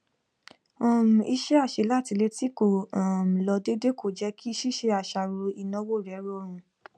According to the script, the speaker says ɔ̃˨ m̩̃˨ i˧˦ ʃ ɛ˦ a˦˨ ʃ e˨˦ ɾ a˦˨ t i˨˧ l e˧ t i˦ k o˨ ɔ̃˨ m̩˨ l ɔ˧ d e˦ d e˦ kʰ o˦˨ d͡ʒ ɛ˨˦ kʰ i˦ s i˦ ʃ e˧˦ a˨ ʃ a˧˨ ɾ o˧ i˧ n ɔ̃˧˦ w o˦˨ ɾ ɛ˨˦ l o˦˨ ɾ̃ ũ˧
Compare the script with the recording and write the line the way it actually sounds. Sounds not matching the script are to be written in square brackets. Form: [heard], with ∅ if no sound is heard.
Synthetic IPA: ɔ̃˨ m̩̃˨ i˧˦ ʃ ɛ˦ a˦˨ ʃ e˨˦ [l] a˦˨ t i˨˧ l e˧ t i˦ k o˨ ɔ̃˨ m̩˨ l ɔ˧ d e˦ d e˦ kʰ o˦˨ d͡ʒ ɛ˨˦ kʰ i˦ [ʃ] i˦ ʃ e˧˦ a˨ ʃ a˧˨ ɾ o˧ i˧ n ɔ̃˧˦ w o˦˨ ɾ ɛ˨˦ [ɾ] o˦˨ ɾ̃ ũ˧

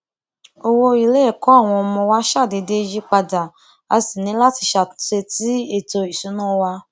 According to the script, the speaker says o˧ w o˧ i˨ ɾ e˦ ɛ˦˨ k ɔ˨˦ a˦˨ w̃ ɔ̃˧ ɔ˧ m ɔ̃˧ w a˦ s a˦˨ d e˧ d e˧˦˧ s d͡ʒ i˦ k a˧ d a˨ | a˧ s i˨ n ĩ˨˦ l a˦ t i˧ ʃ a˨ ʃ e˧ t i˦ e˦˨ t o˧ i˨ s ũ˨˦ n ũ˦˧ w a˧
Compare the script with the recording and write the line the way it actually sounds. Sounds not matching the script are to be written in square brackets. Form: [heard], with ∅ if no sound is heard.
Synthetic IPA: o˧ w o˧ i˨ [l] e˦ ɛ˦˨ k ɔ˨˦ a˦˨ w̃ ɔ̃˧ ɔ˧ m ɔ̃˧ w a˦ [ʃ] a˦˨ d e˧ d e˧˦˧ [∅] d͡ʒ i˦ [k͡p] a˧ d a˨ | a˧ s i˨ n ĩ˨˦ l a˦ t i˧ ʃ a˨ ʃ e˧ t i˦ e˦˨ t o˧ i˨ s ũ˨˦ n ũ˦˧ w a˧

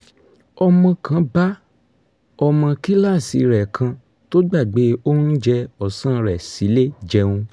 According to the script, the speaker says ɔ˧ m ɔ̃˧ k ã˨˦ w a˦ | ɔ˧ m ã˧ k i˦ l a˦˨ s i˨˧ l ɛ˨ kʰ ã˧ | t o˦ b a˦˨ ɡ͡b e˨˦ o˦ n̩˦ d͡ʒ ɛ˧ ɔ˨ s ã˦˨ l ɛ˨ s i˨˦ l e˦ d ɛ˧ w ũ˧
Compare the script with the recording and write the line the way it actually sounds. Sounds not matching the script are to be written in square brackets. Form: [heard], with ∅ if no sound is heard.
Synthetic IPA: ɔ˧ m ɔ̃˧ k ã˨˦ [b] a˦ | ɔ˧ m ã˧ k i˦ l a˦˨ s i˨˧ [ɾ] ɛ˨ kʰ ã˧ | t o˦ [ɡ͡b] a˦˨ ɡ͡b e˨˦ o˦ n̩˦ d͡ʒ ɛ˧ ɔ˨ s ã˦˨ [ɾ] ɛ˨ s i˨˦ l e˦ [d͡ʒ] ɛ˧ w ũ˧

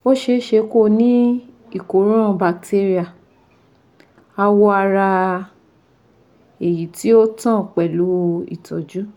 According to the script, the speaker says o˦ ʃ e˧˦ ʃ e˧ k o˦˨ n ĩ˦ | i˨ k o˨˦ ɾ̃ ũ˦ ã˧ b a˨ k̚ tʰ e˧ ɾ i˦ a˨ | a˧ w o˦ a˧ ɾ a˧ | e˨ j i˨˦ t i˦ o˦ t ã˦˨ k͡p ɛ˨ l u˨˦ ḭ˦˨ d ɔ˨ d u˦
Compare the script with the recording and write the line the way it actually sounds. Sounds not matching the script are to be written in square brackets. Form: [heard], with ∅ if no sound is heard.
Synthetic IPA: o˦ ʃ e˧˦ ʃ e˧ k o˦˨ n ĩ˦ | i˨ k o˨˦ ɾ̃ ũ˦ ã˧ b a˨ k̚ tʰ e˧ ɾ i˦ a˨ | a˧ w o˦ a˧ ɾ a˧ | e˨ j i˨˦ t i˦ o˦ t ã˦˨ k͡p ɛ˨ l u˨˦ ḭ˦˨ [t] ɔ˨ [d͡ʒ] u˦

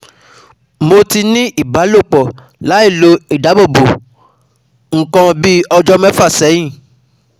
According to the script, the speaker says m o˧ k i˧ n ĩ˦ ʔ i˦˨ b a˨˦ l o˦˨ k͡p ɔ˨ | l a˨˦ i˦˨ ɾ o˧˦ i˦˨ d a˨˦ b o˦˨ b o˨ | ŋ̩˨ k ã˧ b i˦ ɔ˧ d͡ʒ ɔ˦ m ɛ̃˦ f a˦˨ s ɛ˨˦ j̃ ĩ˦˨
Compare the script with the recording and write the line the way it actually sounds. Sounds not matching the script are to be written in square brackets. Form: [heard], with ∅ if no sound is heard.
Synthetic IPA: m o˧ [t] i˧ n ĩ˦ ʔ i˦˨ b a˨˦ l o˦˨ k͡p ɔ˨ | l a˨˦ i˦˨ [l] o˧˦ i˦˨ d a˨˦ b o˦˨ b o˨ | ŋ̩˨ k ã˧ b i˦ ɔ˧ d͡ʒ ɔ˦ m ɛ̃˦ f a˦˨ s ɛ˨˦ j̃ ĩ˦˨

